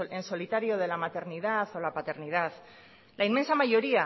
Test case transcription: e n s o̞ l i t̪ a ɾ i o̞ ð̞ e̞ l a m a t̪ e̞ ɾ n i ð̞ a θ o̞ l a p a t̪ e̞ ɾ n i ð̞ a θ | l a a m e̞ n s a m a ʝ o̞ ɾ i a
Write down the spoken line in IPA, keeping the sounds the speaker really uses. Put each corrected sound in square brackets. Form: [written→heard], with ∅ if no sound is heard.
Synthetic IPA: e n s o̞ l i t̪ a ɾ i o̞ ð̞ e̞ l a m a t̪ e̞ ɾ n i ð̞ a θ o̞ l a p a t̪ e̞ ɾ n i ð̞ a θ | l a [a→i] m e̞ n s a m a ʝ o̞ ɾ i a